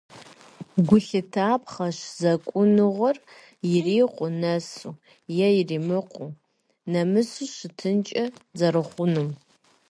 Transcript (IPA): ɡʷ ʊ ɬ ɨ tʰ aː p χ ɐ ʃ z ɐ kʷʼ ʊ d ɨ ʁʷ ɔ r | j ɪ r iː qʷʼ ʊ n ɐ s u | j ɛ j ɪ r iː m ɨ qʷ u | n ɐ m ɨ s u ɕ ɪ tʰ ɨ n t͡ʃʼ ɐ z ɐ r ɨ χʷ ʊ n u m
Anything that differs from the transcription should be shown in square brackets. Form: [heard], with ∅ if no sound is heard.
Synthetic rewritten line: ɡʷ ʊ ɬ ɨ tʰ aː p χ ɐ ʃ z ɐ kʷʼ ʊ [n] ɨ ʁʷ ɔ r | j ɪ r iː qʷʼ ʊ n ɐ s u | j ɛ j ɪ r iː m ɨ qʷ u | n ɐ m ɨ s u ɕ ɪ tʰ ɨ n t͡ʃʼ ɐ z ɐ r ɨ χʷ ʊ n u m

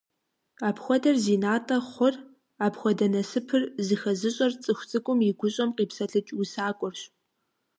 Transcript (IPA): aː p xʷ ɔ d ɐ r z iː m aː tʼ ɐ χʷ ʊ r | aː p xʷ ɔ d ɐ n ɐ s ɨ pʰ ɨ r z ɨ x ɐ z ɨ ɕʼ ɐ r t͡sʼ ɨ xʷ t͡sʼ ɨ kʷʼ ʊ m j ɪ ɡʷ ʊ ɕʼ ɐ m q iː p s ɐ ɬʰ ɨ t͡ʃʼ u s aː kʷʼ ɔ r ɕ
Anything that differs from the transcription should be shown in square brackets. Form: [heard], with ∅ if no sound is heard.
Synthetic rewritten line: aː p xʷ ɔ d ɐ r z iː [n] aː tʼ ɐ χʷ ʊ r | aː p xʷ ɔ d ɐ n ɐ s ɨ pʰ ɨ r z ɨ x ɐ z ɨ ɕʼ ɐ r t͡sʼ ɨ xʷ t͡sʼ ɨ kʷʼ ʊ m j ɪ ɡʷ ʊ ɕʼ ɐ m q iː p s ɐ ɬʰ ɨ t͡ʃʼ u s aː kʷʼ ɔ r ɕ

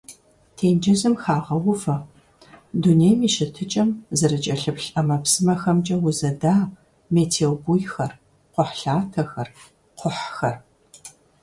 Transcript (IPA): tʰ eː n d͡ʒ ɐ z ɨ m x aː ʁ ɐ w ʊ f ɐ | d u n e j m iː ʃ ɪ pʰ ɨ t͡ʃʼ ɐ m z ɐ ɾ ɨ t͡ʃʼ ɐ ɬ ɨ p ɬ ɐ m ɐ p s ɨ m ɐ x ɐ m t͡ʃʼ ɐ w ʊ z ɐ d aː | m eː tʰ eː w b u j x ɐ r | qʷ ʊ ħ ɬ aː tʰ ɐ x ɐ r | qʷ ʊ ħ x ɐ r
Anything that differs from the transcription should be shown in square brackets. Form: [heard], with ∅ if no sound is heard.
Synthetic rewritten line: tʰ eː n d͡ʒ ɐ z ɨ m x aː ʁ ɐ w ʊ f ɐ | d u n e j m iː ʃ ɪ [tʰ] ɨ t͡ʃʼ ɐ m z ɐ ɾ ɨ t͡ʃʼ ɐ ɬ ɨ p ɬ ɐ m ɐ p s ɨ m ɐ x ɐ m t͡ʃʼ ɐ w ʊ z ɐ d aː | m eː tʰ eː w b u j x ɐ r | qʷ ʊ ħ ɬ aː tʰ ɐ x ɐ r | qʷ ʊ ħ x ɐ r

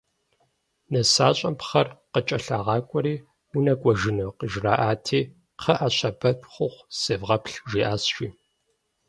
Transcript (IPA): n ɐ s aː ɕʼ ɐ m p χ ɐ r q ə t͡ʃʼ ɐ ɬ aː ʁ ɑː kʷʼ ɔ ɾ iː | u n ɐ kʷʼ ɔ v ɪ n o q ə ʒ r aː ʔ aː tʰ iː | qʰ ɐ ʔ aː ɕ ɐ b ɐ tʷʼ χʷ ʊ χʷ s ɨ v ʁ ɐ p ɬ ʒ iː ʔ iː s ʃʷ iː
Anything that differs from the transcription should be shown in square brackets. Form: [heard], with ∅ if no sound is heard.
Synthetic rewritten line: n ɐ s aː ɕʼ ɐ m p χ ɐ r q ə t͡ʃʼ ɐ ɬ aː ʁ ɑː kʷʼ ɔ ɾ iː | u n ɐ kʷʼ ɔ [ʒ] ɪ n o q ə ʒ r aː ʔ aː tʰ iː | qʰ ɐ ʔ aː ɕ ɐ b ɐ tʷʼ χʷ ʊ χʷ s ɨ v ʁ ɐ p ɬ ʒ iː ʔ [aː] s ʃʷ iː

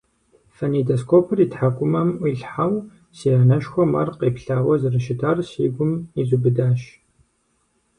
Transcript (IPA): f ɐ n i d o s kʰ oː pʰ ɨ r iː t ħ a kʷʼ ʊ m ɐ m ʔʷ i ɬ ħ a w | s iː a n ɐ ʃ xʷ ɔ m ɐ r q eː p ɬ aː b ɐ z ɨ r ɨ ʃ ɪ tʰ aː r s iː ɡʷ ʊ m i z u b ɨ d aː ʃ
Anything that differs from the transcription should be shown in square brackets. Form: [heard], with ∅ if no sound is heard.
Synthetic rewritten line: f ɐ n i d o s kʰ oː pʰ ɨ r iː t ħ a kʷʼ ʊ m ɐ m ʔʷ i ɬ ħ a w | s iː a n ɐ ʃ xʷ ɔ m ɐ r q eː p ɬ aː [w] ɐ z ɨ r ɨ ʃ ɪ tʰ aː r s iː ɡʷ ʊ m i z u b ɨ d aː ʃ

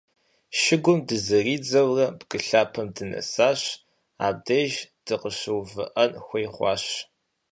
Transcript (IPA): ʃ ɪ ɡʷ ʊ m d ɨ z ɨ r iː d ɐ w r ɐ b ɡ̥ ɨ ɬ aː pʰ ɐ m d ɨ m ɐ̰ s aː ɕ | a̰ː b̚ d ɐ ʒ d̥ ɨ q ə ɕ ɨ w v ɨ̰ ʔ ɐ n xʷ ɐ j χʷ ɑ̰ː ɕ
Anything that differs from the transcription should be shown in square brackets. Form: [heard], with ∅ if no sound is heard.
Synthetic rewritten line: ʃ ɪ ɡʷ ʊ m d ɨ z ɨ r iː [d͡z] ɐ w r ɐ b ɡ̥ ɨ ɬ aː pʰ ɐ m d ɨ [n] ɐ̰ s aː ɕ | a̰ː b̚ d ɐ ʒ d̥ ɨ q ə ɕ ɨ w v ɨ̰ ʔ ɐ n xʷ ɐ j χʷ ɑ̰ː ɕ

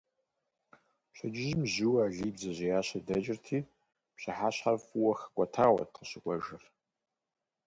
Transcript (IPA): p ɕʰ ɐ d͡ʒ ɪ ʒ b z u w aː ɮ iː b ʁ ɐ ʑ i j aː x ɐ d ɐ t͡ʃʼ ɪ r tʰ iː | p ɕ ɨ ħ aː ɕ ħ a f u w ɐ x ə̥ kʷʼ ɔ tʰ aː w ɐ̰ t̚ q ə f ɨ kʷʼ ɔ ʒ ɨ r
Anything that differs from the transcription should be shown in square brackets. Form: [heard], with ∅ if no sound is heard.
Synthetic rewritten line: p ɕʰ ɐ d͡ʒ ɪ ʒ [m] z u w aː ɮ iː b [z] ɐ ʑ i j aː [ɕ] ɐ d ɐ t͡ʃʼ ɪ r tʰ iː | p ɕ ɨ ħ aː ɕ ħ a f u w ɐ x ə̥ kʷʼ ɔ tʰ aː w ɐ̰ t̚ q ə [ɕ] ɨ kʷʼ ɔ ʒ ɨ r

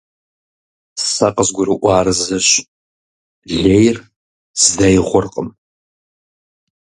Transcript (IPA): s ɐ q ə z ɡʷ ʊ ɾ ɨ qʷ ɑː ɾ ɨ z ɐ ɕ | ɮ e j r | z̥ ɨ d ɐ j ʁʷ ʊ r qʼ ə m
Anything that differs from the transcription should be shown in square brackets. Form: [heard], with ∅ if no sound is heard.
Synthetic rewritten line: s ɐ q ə z ɡʷ ʊ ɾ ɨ [ʔʷ] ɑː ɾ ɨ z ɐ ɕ | ɮ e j r | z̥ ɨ d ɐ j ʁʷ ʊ r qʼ ə m

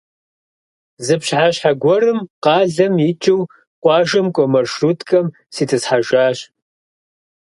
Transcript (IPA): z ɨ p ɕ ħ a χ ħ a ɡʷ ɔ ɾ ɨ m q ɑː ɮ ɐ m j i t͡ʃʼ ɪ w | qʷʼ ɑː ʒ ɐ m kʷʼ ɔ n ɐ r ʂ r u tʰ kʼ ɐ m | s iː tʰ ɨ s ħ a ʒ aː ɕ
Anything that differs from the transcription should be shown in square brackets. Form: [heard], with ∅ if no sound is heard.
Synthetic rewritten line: z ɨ p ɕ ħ a [ɕ] ħ a ɡʷ ɔ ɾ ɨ m q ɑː ɮ ɐ m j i t͡ʃʼ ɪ w | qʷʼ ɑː ʒ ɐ m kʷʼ ɔ [m] ɐ r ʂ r u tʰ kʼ ɐ m | s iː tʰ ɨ s ħ a ʒ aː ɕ

